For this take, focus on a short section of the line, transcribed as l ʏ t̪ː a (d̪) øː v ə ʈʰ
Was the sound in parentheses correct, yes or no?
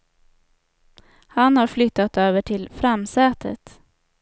no